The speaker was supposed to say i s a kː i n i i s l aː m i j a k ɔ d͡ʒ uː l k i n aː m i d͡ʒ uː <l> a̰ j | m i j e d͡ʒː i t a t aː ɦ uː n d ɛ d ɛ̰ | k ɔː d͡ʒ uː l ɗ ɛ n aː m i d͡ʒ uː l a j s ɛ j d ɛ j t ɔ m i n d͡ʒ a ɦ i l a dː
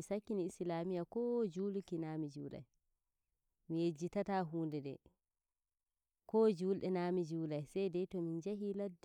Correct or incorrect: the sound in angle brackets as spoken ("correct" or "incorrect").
correct